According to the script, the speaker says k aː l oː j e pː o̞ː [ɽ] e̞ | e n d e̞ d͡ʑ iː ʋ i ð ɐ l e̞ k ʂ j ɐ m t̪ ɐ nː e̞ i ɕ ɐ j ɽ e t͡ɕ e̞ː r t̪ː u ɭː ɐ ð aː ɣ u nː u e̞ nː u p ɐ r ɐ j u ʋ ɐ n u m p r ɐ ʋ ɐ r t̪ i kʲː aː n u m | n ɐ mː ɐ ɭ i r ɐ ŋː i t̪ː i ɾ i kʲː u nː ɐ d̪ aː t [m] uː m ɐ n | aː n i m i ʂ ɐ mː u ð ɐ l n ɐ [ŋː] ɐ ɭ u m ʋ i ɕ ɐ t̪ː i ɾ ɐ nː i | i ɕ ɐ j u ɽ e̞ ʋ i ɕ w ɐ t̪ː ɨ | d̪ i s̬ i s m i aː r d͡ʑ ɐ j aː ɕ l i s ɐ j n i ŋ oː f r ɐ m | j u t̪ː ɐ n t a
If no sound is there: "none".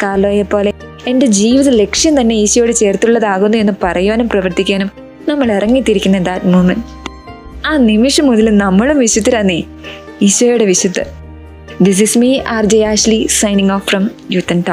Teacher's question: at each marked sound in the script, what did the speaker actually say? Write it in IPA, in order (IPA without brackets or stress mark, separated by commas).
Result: l, m, mː